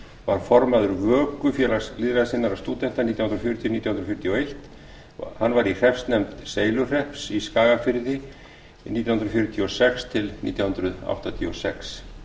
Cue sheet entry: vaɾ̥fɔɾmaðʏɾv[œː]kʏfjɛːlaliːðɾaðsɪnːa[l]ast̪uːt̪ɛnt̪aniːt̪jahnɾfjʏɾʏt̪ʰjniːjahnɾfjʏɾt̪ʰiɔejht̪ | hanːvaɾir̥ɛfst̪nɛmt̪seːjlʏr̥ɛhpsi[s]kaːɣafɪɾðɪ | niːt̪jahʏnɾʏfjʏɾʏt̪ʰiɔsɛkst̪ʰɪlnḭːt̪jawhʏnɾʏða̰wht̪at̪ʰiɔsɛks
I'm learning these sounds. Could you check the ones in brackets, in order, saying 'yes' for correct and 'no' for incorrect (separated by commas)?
yes, no, yes